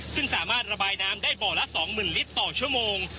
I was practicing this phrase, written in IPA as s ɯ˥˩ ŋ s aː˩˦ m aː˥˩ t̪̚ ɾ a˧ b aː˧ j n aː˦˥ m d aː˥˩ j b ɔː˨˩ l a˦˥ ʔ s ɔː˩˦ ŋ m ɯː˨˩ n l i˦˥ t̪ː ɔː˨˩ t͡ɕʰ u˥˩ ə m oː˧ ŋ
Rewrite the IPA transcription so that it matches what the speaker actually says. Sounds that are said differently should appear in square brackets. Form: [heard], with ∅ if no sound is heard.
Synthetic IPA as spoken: s ɯ˥˩ ŋ s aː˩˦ m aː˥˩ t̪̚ ɾ a˧ b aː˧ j n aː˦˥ m d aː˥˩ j b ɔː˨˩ l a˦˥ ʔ s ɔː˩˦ ŋ m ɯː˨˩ n l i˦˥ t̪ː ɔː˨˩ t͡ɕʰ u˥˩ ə m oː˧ ŋ